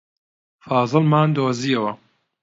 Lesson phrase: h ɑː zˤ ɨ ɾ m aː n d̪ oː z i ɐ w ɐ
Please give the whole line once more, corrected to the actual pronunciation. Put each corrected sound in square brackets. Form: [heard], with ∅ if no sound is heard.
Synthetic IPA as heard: [f] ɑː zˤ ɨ [l] m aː n d̪ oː z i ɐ w ɐ